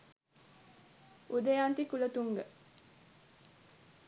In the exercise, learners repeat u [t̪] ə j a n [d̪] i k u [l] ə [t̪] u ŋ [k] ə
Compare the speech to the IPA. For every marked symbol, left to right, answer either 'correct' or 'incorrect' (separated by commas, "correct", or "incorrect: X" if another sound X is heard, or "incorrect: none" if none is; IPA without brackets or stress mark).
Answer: incorrect: d̪, incorrect: t̪, correct, correct, incorrect: ɡ